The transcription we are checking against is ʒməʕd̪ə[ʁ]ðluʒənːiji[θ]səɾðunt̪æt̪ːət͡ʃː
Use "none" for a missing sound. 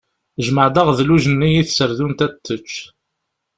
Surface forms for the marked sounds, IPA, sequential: ʁ, θ

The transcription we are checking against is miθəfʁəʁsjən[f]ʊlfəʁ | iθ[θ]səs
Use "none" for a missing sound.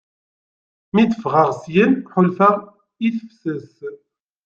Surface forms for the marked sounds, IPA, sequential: ħ, f

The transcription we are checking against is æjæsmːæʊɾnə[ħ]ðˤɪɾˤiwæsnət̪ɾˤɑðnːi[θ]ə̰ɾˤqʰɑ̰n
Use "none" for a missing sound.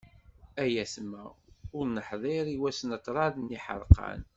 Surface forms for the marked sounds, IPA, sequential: ħ, ħ

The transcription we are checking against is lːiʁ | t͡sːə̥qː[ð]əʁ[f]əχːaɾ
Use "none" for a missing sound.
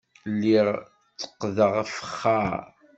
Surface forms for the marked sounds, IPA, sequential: ð, f

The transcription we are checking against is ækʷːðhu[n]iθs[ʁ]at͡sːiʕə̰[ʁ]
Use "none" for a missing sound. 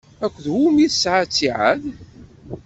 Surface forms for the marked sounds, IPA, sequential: m, ʕ, ð

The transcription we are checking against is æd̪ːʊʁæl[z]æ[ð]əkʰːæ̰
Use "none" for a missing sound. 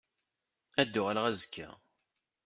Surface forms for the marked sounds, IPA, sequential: ʁ, z

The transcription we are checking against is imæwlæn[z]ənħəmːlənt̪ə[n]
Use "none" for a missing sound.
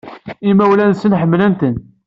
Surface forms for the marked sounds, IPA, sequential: s, n

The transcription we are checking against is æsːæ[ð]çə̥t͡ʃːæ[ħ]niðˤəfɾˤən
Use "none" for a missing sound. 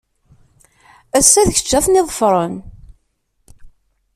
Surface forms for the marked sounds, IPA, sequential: ð, θ

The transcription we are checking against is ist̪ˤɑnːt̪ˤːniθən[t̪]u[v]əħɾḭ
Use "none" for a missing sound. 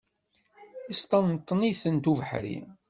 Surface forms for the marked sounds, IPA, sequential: t̪, v

